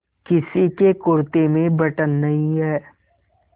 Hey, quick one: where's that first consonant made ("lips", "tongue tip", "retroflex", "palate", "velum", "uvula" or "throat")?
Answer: velum